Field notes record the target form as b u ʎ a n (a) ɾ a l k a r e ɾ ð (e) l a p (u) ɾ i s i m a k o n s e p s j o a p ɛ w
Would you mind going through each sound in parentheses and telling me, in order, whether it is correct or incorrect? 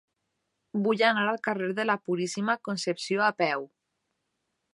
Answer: correct, correct, correct

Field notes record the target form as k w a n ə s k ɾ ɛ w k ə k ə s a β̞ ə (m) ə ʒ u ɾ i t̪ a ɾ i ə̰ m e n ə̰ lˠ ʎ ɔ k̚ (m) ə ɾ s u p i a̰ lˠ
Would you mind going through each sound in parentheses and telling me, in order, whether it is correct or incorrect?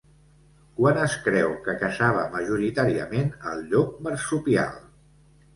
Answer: correct, correct

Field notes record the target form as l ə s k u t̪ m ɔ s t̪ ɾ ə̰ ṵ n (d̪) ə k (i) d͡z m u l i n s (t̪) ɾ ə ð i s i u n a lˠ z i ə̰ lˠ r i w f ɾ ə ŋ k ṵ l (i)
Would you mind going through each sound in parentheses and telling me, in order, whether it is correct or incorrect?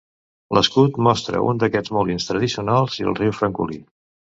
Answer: correct, incorrect: ɛ, correct, correct

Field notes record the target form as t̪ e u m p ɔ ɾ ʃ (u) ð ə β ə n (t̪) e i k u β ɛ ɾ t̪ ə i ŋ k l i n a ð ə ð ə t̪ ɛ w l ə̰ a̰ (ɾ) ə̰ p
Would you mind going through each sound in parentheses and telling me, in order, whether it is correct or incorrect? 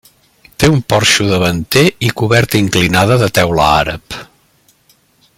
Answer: correct, correct, correct

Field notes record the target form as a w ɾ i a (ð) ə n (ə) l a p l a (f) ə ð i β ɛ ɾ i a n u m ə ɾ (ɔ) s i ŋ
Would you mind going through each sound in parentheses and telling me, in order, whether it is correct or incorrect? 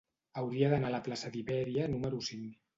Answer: correct, incorrect: a, incorrect: s, incorrect: u

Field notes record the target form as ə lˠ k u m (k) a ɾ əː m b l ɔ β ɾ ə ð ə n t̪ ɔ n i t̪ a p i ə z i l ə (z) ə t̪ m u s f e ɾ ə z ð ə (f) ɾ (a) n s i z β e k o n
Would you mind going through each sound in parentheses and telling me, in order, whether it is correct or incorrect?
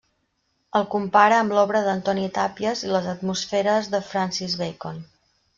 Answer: incorrect: p, correct, correct, correct

